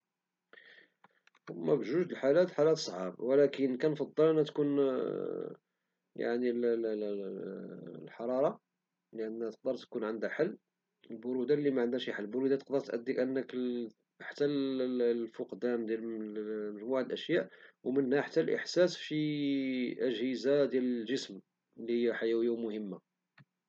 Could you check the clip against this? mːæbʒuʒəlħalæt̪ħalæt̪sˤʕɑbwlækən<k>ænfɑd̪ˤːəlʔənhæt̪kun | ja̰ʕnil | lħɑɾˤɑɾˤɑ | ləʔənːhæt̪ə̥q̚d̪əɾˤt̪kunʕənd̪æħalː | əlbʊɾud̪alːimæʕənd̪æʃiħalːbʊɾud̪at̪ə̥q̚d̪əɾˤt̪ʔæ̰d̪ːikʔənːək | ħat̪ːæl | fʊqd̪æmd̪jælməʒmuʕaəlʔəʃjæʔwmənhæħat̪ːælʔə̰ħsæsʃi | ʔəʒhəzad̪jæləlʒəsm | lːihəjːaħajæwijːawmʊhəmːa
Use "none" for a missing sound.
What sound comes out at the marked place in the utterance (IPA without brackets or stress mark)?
k